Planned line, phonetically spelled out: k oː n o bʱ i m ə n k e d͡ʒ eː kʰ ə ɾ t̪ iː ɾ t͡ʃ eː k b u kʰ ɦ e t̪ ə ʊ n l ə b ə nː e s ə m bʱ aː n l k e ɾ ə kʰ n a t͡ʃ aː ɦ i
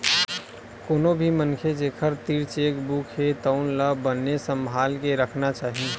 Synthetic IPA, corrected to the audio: k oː n o bʱ i m ə n kʰ e d͡ʒ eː kʰ ə ɾ t̪ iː ɾ t͡ʃ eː k b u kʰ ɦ e t̪ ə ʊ n l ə b ə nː e s ə m bʱ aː l k e ɾ ə kʰ n a t͡ʃ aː ɦ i

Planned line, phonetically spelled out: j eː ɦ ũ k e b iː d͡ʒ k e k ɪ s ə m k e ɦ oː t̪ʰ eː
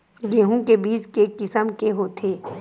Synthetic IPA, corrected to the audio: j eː ɦ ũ k e b iː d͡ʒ k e k ɪ s ə m k e ɦ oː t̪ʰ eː

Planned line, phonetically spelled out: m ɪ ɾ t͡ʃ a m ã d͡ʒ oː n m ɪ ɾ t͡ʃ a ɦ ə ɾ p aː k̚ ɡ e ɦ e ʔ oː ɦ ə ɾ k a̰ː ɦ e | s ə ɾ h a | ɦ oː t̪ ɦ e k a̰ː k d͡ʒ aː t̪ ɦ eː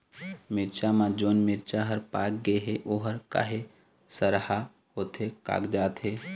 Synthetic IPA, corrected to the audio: m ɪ ɾ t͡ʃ a m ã d͡ʒ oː n m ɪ ɾ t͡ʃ a ɦ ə ɾ p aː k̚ ɡ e ɦ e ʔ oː ɦ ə ɾ k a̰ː ɦ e | s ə ɾ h a | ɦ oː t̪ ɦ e k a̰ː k d͡ʒ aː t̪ ɦ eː

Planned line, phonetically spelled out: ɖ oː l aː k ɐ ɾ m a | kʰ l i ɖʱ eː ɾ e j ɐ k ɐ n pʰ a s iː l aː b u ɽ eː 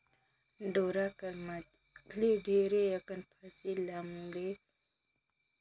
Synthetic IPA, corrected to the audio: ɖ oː ɾ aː k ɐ ɾ m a | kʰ l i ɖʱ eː ɾ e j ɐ k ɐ n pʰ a s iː l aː m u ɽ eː

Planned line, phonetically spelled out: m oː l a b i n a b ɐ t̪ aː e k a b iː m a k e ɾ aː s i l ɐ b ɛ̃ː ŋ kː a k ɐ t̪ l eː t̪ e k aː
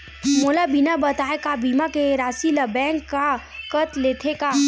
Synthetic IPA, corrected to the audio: m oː l a b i n a b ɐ t̪ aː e k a b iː m a k e ɾ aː s i l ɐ b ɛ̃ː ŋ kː a k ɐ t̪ l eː t̪ʰ e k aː

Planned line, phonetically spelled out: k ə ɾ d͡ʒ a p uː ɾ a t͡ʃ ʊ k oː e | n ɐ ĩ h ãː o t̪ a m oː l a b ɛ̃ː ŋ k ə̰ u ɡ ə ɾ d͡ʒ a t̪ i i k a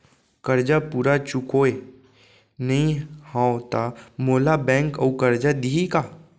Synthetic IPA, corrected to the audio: k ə ɾ d͡ʒ a p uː ɾ a t͡ʃ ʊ k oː e | n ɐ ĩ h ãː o t̪ a m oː l a b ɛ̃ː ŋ k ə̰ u k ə ɾ d͡ʒ a d̪ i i k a

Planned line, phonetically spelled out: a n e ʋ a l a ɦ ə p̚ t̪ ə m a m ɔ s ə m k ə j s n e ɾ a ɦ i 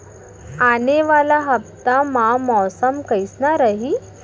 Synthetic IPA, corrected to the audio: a n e ʋ a l a ɦ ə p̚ t̪ a m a m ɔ s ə m k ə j s n a ɾ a ɦ i

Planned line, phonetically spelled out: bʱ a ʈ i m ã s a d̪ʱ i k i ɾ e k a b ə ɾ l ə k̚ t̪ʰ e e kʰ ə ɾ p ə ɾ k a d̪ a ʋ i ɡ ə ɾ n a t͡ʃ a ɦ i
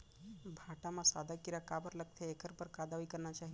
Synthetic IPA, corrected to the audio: bʱ a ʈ a m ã s a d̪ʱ a k i ɾ a k a b ə ɾ l ə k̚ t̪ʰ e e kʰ ə ɾ p ə ɾ k a d̪ a ʋ i k ə ɾ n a t͡ʃ a ɦ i

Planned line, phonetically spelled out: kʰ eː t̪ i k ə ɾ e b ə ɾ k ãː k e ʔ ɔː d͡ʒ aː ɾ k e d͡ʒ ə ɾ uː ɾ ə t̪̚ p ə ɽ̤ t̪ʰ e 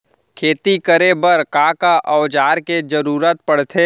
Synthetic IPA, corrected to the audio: kʰ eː t̪ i k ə ɾ e b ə ɾ k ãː k a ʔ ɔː d͡ʒ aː ɾ k e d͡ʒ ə ɾ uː ɾ ə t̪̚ p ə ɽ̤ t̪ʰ e

